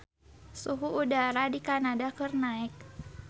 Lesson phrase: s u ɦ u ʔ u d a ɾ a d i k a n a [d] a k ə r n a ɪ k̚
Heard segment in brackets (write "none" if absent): d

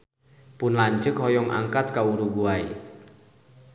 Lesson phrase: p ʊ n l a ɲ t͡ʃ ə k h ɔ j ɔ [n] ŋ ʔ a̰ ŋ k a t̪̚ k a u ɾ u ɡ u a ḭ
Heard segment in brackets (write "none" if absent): none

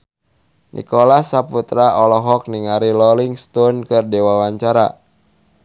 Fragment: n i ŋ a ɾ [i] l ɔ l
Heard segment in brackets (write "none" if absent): i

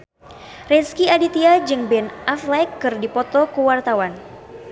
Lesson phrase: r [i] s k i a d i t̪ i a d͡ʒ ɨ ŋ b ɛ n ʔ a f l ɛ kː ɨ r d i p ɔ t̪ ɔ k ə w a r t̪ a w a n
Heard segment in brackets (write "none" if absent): ɛ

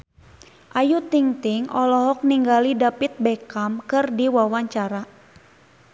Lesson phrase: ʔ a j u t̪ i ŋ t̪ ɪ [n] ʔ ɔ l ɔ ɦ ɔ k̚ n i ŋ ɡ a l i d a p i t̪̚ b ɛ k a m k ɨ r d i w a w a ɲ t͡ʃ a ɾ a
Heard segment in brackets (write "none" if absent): ŋ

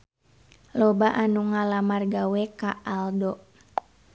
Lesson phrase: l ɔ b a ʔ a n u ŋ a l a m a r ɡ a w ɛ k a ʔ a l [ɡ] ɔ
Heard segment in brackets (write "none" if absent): d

